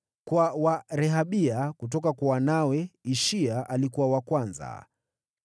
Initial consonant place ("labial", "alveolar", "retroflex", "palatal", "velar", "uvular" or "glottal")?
velar